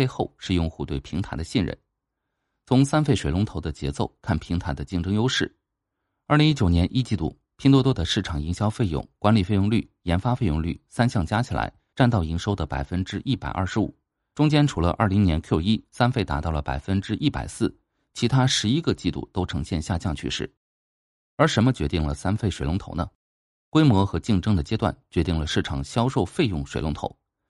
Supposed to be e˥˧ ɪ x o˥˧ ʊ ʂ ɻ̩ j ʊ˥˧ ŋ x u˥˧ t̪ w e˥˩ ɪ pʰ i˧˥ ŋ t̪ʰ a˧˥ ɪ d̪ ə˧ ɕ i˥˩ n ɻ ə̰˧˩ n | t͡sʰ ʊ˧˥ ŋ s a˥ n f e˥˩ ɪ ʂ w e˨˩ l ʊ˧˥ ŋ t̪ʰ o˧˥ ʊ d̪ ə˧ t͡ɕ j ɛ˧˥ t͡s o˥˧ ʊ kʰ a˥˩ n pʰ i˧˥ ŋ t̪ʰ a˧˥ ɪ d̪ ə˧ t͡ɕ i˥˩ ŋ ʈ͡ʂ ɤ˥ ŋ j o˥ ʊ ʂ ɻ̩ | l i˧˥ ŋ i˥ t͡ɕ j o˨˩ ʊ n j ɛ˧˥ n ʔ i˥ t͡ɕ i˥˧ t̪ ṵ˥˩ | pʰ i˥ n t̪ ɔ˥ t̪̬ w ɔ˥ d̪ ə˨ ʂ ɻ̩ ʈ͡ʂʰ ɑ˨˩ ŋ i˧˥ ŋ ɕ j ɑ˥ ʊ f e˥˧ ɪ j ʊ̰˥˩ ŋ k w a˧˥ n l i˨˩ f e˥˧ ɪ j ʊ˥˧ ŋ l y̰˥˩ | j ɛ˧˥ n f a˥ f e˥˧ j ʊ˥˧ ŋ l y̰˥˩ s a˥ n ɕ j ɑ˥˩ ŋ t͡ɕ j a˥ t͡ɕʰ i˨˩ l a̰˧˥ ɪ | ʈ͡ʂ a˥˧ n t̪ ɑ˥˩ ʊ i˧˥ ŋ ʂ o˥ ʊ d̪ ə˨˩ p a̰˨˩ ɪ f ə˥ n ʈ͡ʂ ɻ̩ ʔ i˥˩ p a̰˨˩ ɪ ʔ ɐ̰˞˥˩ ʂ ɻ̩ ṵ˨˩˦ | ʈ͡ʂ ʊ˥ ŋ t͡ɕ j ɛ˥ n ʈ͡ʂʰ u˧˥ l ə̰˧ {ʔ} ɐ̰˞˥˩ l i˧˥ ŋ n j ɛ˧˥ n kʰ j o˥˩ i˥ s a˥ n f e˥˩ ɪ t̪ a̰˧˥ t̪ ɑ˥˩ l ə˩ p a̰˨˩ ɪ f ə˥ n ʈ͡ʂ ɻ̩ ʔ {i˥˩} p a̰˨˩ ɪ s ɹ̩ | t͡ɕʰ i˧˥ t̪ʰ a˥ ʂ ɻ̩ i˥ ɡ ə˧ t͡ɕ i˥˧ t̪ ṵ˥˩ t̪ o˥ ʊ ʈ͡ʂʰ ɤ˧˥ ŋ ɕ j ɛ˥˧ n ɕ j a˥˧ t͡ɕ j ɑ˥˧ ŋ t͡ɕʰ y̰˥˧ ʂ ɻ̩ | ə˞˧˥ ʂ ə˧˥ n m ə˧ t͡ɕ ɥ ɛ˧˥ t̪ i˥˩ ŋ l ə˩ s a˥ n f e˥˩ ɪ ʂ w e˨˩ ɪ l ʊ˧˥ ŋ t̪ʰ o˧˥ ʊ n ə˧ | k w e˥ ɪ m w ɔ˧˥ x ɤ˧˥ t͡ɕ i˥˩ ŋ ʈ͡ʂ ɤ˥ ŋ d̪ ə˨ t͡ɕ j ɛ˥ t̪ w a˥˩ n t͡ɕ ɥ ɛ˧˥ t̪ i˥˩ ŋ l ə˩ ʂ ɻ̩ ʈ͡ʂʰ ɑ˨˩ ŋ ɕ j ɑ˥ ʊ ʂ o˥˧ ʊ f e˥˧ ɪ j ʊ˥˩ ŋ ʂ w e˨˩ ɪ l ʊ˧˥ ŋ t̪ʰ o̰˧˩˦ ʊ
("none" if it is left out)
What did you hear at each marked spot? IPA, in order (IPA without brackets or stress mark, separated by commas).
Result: ʔ, i˥˩